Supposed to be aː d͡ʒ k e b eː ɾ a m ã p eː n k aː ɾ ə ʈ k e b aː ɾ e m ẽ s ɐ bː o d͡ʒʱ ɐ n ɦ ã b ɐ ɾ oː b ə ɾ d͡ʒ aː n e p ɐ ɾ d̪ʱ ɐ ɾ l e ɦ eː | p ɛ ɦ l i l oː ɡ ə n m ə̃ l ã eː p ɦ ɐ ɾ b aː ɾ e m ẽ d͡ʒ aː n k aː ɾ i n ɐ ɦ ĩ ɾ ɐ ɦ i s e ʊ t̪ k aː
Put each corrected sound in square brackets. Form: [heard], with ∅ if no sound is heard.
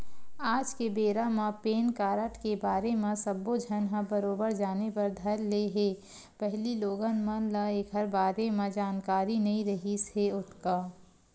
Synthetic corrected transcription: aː d͡ʒ k e b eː ɾ a m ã p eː n k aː ɾ ə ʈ k e b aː ɾ e m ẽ s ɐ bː o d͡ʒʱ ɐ n ɦ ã b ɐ ɾ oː b ə ɾ d͡ʒ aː n e p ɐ ɾ d̪ʱ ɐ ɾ l e ɦ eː | p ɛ ɦ l i l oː ɡ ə n m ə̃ l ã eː [k] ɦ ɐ ɾ b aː ɾ e m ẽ d͡ʒ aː n k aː ɾ i n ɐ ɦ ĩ ɾ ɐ ɦ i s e ʊ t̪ k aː